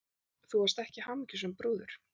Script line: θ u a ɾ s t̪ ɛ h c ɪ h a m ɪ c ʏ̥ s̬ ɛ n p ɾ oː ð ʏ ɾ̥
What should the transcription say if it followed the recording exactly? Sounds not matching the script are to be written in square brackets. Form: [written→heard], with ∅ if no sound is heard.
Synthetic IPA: θ u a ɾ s t̪ ɛ h c ɪ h a m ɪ c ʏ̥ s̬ ɛ [n→m] p ɾ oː ð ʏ ɾ̥